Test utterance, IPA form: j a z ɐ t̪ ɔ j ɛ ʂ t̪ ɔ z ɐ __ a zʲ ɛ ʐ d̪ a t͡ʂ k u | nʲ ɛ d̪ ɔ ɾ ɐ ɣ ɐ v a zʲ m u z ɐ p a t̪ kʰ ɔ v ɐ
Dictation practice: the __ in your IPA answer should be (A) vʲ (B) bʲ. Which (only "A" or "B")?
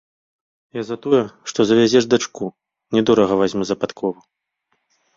A